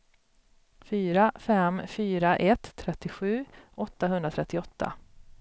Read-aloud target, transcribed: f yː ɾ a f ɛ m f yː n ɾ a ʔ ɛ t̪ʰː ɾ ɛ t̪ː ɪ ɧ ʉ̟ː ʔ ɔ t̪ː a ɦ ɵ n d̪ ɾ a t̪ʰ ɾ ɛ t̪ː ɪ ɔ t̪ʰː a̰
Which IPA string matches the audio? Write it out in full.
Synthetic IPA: f yː ɾ a f ɛ m f yː ɾ a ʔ ɛ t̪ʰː ɾ ɛ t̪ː ɪ ɧ ʉ̟ː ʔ ɔ t̪ː a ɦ ɵ n d̪ ɾ a t̪ʰ ɾ ɛ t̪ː ɪ ɔ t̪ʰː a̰